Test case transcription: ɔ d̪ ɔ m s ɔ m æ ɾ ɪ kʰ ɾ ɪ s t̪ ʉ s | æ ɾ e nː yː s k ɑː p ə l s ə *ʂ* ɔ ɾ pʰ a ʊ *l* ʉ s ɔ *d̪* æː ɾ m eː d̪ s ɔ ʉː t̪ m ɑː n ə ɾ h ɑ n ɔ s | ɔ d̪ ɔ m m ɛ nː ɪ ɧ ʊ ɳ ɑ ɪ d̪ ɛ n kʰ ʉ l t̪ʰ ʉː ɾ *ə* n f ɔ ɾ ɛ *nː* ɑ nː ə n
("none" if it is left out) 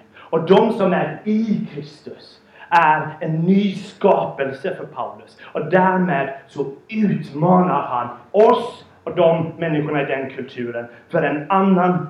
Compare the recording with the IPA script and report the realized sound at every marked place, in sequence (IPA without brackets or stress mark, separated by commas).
f, l, d̪, ə, n